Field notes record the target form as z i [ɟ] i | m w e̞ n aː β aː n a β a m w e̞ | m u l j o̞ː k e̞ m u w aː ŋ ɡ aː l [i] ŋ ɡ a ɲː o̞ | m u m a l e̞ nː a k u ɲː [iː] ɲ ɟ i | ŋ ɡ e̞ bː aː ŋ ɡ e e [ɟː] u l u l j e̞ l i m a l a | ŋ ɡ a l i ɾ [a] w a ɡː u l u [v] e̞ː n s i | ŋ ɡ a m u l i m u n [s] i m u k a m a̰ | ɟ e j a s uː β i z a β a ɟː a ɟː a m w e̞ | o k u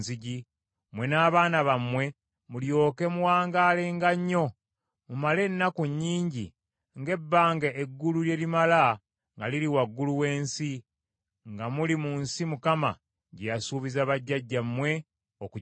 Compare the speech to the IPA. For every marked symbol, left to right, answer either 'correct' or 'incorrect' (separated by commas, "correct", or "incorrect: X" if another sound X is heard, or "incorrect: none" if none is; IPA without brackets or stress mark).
correct, incorrect: e, correct, incorrect: ɡː, incorrect: i, incorrect: w, correct